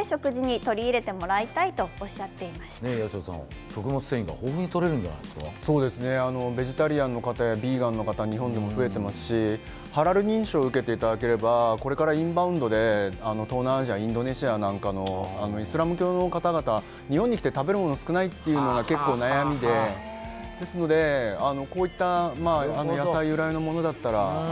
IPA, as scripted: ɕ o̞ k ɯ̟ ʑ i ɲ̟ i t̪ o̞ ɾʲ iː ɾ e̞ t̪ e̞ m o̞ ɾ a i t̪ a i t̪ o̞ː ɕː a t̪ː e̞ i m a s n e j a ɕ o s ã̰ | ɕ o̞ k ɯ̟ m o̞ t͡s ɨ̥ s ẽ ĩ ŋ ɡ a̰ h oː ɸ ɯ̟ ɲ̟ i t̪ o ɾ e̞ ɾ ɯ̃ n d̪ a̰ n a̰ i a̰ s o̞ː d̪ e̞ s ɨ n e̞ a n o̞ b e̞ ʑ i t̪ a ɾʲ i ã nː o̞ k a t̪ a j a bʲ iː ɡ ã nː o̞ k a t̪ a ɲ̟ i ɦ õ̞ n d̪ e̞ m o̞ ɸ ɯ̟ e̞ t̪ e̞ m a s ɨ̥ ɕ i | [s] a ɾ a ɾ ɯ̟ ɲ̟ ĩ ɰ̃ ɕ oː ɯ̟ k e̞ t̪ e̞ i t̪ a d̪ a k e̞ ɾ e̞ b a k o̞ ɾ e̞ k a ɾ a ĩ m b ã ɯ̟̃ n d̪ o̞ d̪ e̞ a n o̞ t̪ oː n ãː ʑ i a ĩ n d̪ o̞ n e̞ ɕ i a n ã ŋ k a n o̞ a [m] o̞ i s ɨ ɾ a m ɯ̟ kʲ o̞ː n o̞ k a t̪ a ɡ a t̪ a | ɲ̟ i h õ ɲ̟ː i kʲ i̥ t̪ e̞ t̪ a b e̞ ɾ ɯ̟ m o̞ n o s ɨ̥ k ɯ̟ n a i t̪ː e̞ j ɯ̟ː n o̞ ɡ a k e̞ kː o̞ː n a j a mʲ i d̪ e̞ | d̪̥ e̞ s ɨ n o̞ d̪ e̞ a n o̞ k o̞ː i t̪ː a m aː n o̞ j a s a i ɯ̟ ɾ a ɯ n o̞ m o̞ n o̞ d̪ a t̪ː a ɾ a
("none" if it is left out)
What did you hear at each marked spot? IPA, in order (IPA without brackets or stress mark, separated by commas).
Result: h, n